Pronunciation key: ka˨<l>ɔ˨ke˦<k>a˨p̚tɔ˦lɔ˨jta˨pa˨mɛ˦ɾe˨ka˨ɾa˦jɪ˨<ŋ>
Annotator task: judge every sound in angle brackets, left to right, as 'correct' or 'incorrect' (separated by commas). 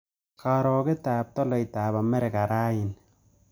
incorrect, incorrect, incorrect